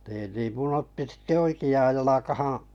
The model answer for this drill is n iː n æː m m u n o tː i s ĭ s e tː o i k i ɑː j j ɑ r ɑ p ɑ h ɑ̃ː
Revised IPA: n iː n iː m m u n o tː i s ĭ t e o i k i ɑː j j ɑ l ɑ k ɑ h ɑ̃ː

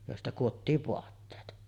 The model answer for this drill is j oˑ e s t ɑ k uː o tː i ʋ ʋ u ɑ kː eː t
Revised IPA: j oˑ e s t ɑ k u o tː iː ʋ ʋ o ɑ tː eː t

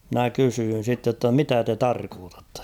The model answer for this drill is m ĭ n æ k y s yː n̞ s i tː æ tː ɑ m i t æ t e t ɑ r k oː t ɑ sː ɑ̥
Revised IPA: m ĭ n æ k y s yː n̞ s i tː e tː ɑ m i t æ t e t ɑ r k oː t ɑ tː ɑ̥

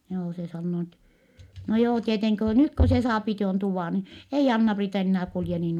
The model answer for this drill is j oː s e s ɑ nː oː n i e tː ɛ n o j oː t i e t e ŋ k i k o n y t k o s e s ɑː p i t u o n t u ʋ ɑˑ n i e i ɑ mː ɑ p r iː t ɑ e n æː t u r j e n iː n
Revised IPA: j oː s e s ɑ nː oː n i e tː ɛ n o j oː t i e t e ŋ k i k o n y t k o s e s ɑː p i t u o n t u ʋ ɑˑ n i e i ɑ nː ɑ p r iː t ɑ e nː æː k u l j e n iː n

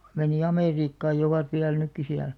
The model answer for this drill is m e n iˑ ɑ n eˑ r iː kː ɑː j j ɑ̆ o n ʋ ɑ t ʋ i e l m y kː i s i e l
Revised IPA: m e n iˑ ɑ m eˑ r iː kː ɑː j j ɑ̆ o ʋ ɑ t ʋ i æ l n y kː i s i æ l

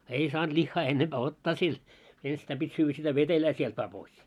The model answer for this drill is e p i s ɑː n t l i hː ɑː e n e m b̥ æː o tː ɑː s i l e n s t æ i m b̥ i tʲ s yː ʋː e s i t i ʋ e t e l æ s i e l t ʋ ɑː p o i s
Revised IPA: e i s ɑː n t l i hː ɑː e nː e m b̥ æː o tː ɑː s i l e n s t æ i m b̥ i tʲ s yː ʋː æ s i t æ ʋ e t e l æː s i e l t ʋ ɑː p o i s

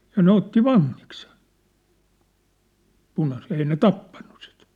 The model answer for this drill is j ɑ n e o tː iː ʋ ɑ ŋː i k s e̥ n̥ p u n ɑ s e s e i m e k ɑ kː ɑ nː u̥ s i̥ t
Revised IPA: j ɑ n e o tː i ʋ ɑ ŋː i k s e̥ n̥ p u n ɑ s e t e i n e t ɑ pː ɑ nː u̥ s i̥ t

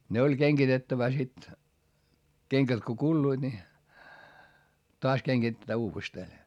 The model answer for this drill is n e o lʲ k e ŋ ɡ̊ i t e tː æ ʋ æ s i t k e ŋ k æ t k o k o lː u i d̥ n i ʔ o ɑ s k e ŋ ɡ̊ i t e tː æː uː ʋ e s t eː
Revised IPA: n e o lʲ k e ŋ ɡ̊ i t e tː æ ʋ æ s i t k e ŋ k æ t k o k u lː u i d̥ n i t o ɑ s k e ŋ ɡ̊ i t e tː æː uː ʋ e s t eː

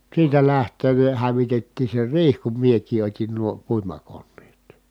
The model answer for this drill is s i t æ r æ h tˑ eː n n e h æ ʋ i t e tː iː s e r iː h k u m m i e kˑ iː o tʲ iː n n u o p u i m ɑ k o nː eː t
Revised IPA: s iː t æ l æ h tˑ eː n n e h æ ʋ i t e tː iː s e r iː h k u m m i e kˑ iː o tʲ i n n u o p u i m ɑ k o nː eː t

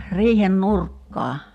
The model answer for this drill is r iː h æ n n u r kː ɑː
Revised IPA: r iː h e n n u r kː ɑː

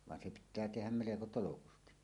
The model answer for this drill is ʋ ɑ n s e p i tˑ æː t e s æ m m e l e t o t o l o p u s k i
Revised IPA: ʋ ɑ n s e p i tˑ æː t e h æ m m e l e k o t o l o k u s t i

